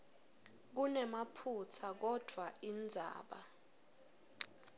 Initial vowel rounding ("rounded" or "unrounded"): rounded